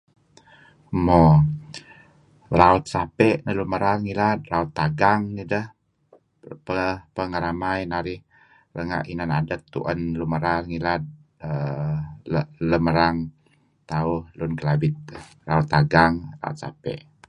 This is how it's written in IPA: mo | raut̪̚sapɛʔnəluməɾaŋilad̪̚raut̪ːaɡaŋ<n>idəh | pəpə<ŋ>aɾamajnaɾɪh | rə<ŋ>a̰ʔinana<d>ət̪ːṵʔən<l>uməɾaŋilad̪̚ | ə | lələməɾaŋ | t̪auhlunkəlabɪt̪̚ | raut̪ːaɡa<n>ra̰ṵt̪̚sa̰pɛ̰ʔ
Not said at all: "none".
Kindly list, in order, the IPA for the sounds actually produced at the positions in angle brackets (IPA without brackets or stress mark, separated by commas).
n, ŋ, ŋ, d, l, ŋ